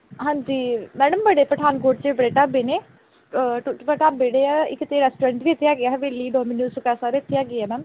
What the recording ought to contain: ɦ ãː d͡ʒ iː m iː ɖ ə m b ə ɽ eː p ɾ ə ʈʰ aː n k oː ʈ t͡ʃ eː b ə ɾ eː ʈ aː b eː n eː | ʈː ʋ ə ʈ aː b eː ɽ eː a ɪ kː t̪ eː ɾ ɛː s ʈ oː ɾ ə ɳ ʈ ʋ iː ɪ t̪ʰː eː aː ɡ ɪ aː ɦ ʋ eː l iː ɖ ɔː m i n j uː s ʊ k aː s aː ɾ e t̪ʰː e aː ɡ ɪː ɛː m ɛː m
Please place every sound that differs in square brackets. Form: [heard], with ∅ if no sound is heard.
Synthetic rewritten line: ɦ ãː d͡ʒ iː m [ɛː] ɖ ə m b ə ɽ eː p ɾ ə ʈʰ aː n k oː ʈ t͡ʃ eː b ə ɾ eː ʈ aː b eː n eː | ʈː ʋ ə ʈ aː b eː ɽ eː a ɪ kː t̪ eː ɾ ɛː s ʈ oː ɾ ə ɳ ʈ ʋ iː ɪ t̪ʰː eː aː ɡ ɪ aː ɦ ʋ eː l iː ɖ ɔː m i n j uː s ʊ k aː s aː ɾ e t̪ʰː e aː ɡ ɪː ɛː m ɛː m